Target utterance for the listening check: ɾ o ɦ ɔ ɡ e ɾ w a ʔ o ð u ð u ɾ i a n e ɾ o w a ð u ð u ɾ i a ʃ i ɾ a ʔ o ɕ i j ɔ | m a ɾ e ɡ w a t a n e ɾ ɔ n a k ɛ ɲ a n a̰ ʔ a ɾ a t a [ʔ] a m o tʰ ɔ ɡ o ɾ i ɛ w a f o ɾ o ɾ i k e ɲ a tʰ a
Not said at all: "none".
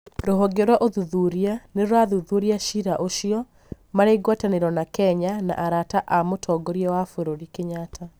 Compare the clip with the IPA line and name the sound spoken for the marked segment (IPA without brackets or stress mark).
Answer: ʔ